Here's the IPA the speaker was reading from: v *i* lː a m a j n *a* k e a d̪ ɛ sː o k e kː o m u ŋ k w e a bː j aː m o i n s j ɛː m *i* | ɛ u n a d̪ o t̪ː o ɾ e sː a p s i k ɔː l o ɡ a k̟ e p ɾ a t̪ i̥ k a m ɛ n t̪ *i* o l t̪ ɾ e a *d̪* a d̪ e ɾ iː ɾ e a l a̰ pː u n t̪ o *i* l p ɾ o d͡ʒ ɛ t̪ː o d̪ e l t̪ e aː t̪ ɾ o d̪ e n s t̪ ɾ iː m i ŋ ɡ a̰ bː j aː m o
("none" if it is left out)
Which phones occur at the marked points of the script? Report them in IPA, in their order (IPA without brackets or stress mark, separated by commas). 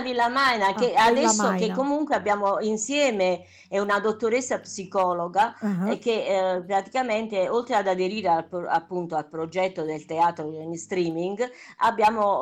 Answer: i, a, e, e, d̪, a